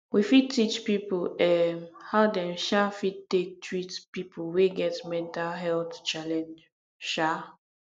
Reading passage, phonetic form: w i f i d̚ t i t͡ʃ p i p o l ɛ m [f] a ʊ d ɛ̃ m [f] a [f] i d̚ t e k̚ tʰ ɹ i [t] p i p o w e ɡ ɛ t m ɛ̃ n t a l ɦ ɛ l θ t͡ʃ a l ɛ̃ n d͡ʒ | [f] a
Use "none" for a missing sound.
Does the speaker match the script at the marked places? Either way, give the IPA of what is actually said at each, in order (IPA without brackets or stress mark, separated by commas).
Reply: h, ʃ, f, t, ʃ